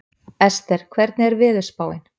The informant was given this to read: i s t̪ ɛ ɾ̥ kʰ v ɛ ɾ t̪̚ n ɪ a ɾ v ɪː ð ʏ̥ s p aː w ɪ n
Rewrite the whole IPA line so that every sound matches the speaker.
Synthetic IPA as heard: ɛ s t̪ ɛ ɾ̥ kʰ v ɛ ɾ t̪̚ n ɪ ɛ ɾ v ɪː ð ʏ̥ s p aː w ɪ n